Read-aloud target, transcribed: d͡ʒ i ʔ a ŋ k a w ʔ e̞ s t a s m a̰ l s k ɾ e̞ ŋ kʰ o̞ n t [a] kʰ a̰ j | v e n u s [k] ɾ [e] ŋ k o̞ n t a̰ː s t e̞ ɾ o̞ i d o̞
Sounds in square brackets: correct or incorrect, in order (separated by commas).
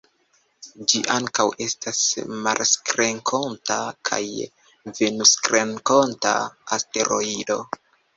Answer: correct, correct, correct